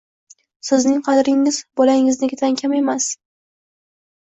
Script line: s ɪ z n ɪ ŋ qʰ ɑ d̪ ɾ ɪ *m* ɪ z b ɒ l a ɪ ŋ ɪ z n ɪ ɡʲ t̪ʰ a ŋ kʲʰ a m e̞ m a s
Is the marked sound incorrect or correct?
incorrect